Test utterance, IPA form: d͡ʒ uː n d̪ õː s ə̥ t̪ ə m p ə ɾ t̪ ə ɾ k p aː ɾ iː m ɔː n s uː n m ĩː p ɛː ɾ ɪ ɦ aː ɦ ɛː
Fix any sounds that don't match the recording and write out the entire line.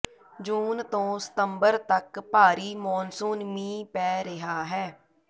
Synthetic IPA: d͡ʒ uː n t̪ õː s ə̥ t̪ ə m b ə ɾ t̪ ə k p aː ɾ iː m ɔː n s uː n m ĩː p ɛː ɾ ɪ ɦ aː ɦ ɛː